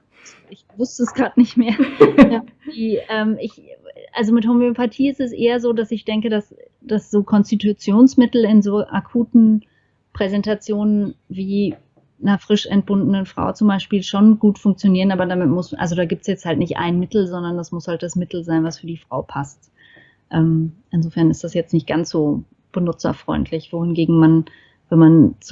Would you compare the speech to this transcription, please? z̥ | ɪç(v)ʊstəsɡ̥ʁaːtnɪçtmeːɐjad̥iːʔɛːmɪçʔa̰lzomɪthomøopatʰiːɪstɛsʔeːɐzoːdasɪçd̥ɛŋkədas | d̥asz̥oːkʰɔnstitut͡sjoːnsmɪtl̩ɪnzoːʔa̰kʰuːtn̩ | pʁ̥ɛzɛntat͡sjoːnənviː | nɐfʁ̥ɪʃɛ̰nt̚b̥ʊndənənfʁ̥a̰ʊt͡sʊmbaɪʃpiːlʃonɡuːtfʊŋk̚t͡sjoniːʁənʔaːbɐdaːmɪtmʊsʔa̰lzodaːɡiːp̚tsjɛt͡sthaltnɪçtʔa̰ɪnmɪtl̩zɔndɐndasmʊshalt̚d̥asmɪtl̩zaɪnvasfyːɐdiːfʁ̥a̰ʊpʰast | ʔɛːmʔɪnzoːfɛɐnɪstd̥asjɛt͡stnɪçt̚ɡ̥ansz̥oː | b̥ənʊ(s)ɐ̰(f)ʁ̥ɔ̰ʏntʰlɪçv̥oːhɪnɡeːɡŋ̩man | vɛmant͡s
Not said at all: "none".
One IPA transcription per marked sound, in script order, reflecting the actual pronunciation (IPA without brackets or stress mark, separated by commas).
v, t͡s, f